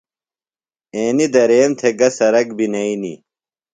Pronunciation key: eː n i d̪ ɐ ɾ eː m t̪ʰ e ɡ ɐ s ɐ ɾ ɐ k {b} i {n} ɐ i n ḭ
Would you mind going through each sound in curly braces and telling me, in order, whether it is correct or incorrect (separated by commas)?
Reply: correct, correct